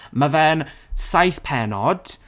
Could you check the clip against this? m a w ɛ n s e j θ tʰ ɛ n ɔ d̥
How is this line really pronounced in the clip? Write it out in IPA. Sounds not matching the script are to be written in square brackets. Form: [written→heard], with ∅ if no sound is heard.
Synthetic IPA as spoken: m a [w→v] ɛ n s [e→a] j θ [tʰ→pʰ] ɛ n ɔ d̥